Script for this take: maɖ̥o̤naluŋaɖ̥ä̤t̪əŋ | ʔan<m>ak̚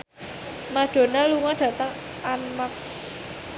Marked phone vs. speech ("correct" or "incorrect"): correct